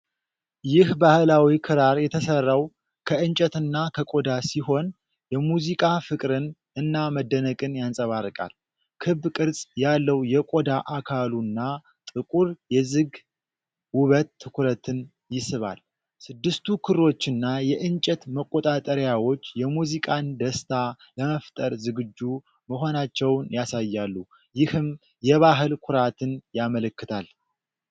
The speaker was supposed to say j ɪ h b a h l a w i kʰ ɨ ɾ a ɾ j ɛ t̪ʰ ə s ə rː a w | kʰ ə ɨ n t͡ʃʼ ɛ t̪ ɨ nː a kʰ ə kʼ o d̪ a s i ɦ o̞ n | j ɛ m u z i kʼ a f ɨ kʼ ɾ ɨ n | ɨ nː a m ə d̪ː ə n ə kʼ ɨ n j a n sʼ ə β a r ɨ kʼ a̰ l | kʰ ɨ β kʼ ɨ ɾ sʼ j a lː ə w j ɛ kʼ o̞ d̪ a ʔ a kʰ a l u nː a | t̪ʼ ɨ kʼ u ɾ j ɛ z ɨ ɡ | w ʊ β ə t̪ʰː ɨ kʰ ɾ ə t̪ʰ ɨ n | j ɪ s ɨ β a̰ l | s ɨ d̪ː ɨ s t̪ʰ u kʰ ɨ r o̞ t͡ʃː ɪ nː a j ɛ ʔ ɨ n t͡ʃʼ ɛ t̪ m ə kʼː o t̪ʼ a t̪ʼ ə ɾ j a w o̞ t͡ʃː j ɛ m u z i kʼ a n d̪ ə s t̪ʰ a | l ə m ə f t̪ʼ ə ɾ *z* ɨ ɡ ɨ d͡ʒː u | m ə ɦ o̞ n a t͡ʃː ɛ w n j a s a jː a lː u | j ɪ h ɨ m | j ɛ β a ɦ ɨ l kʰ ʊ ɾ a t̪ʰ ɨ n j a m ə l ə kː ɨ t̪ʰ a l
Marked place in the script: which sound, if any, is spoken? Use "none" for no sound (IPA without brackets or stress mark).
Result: z